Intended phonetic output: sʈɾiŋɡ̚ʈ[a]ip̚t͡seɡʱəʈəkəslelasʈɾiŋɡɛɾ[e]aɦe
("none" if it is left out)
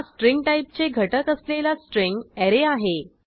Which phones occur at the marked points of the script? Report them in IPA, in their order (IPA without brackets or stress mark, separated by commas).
a, e